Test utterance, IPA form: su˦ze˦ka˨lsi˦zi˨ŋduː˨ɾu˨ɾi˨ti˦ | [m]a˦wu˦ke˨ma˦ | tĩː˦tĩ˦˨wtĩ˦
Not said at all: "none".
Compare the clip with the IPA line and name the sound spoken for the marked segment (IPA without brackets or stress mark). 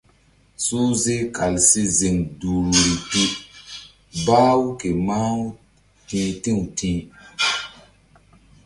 b